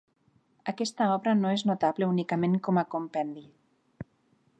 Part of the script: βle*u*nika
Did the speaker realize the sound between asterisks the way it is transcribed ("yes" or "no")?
yes